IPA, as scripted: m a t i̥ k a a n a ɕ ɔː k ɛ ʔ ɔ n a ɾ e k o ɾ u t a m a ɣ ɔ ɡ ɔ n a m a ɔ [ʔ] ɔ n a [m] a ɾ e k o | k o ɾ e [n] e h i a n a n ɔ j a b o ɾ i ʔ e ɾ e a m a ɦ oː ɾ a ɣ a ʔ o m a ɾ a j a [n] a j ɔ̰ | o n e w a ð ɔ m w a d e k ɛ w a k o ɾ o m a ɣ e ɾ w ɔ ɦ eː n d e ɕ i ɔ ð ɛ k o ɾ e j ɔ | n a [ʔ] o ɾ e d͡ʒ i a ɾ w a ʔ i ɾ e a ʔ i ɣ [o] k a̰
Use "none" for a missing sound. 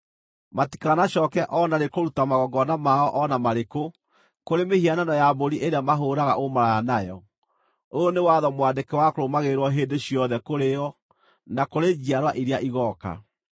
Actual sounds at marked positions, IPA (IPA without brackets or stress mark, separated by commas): ʔ, m, m, n, k, ɔ